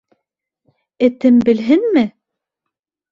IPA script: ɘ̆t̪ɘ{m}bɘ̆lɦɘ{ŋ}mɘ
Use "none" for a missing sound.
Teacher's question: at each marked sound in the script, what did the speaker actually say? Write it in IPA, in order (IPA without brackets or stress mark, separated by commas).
m, n